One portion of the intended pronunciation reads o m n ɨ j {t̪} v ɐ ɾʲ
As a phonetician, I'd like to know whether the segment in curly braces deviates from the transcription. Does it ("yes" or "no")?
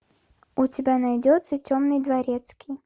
yes